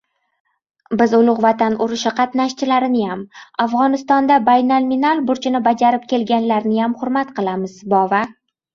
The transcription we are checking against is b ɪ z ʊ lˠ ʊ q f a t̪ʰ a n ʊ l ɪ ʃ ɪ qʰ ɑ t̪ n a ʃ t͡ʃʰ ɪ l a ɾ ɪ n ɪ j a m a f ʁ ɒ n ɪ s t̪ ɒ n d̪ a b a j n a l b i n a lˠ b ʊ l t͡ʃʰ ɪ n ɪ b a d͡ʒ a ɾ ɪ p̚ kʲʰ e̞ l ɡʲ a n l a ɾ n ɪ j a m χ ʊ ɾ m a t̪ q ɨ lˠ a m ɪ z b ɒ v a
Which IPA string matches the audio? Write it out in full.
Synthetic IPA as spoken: b ɪ z ʊ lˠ ʊ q v a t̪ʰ a n ʊ ɾ ɪ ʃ ɪ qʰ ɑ t̪ n a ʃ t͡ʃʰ ɪ l a ɾ ɪ n ɪ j a m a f ʁ ɒ n ɪ s t̪ ɒ n d̪ a b a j n a l m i n a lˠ b ʊ ɾ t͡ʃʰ ɪ n ɪ b a d͡ʒ a ɾ ɪ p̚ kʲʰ e̞ l ɡʲ a n l a ɾ n ɪ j a m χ ʊ ɾ m a t̪ q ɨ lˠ a m ɪ z b ɒ v a